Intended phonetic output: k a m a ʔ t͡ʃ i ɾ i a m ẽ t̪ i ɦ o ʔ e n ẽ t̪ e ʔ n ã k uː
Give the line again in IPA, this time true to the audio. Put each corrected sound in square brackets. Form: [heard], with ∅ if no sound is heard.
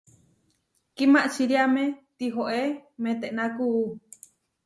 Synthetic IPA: k [i] m a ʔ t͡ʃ i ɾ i a m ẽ t̪ i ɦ o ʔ e [m] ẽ t̪ e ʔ n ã k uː